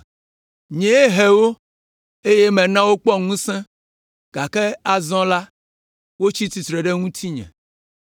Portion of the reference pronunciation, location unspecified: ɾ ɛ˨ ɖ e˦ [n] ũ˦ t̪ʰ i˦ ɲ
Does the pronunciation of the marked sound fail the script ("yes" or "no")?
yes